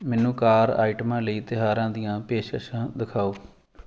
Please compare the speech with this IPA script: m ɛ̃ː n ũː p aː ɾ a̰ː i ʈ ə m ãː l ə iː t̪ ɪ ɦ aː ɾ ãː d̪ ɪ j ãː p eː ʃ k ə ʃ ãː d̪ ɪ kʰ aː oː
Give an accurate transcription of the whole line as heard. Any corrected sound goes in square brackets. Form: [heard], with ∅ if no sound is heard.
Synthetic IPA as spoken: m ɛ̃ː n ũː [k] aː ɾ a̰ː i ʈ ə m ãː l ə iː t̪ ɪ ɦ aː ɾ ãː d̪ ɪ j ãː p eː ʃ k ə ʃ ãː d̪ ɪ kʰ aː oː